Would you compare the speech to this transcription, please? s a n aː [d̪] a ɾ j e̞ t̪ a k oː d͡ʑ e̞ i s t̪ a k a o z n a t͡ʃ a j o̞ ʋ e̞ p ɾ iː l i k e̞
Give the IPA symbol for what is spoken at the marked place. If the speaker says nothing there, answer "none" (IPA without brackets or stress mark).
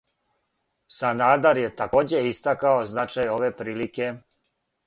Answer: d̪